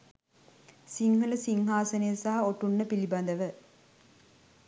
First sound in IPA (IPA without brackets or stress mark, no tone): s